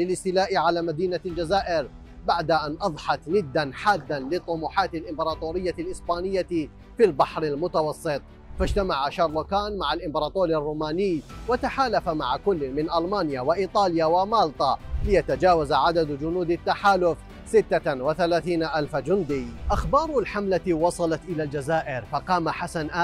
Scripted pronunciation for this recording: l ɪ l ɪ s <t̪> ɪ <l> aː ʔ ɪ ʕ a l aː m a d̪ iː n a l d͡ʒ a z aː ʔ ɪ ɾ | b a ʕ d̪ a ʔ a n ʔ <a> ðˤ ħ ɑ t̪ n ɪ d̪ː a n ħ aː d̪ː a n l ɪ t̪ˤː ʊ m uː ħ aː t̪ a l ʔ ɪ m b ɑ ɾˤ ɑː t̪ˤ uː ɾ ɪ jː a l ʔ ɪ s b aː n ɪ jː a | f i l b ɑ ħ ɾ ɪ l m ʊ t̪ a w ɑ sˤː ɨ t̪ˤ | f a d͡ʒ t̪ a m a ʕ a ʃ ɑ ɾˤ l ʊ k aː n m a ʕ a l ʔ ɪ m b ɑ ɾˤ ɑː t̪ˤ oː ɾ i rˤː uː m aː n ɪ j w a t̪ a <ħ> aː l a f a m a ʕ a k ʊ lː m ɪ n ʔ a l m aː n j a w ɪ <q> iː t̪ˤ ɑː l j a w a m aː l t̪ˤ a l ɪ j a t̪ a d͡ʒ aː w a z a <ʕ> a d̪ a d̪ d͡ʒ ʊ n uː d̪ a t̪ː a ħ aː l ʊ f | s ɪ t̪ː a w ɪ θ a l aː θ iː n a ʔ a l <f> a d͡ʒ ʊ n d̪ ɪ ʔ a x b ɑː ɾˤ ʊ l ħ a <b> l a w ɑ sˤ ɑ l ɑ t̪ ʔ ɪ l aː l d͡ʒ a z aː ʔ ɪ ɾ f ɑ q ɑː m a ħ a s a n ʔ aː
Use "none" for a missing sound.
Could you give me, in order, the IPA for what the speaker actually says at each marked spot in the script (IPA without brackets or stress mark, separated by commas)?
t̪, l, ɑ, ħ, ʔ, ʕ, f, m